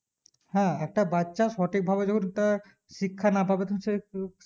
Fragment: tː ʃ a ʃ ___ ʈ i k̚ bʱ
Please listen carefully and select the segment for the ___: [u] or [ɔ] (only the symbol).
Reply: ɔ